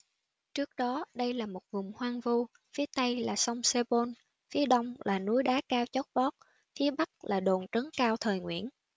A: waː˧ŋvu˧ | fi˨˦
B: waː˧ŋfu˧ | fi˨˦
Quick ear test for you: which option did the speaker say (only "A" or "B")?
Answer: A